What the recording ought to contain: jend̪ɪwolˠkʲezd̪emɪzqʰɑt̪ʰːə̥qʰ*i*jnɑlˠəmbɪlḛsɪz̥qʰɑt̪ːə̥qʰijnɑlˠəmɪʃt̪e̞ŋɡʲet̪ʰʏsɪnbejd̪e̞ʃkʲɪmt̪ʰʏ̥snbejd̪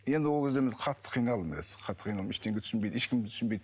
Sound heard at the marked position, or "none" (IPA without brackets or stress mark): i